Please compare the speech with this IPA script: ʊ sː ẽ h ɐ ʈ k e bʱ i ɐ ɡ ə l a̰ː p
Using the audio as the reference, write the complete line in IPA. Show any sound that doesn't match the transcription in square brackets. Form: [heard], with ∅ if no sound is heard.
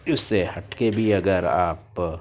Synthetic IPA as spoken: ʊ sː [e] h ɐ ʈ k e bʱ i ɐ ɡ ə [ɾ] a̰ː p